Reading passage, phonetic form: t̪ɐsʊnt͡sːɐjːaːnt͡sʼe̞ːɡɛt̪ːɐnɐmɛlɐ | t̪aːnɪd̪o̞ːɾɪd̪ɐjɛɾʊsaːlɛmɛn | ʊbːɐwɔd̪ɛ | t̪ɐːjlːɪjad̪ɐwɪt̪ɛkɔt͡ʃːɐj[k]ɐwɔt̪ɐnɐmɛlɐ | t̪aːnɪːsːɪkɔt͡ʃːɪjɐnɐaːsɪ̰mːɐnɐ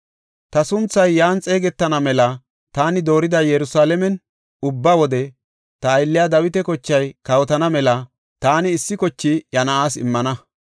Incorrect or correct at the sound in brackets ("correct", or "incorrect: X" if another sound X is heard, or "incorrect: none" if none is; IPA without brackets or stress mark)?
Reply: correct